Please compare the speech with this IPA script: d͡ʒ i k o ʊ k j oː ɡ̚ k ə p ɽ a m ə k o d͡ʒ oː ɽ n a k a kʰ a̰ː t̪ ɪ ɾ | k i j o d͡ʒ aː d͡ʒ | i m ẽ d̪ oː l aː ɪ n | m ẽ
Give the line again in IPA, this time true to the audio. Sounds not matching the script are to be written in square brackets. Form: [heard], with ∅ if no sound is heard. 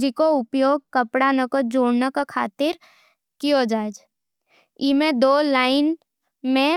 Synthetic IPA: d͡ʒ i k o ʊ [p] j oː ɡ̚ k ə p ɽ a [n] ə k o d͡ʒ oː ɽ n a k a kʰ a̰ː t̪ ɪ ɾ | k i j o d͡ʒ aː d͡ʒ | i m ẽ d̪ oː l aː ɪ n | m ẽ